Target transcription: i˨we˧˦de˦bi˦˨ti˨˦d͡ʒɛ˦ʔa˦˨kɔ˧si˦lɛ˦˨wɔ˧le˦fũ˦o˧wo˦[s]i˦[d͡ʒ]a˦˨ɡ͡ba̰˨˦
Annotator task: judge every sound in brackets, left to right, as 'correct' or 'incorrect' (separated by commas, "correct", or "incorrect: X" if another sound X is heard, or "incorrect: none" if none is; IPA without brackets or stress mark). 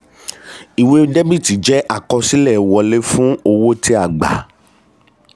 incorrect: t, incorrect: none